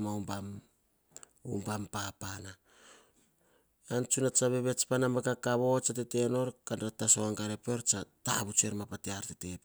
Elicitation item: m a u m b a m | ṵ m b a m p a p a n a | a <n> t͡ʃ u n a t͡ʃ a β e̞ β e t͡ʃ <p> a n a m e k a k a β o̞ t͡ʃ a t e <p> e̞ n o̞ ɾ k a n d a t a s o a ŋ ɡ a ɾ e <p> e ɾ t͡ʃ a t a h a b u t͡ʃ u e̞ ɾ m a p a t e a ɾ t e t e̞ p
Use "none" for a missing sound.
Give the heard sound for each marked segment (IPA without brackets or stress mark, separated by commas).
n, p, t, p